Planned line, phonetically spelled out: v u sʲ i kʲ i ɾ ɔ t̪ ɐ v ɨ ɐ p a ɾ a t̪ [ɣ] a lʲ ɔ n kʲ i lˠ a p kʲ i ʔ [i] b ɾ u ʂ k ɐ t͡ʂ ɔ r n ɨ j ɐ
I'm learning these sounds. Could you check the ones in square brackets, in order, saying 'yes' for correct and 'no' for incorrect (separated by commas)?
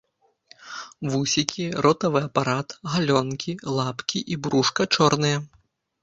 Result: yes, yes